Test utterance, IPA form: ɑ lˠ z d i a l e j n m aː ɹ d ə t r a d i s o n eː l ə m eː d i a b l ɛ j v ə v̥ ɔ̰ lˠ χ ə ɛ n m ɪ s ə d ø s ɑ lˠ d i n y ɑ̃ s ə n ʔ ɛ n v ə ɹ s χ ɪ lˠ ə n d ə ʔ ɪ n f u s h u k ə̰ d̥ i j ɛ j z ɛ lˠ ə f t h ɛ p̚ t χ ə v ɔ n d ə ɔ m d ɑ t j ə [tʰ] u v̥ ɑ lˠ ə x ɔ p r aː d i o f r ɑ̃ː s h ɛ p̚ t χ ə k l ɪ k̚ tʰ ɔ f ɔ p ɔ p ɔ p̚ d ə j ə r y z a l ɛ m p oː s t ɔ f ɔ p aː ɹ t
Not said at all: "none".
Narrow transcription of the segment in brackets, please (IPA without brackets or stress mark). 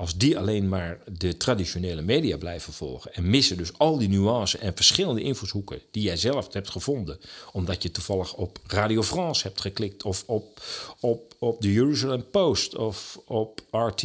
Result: t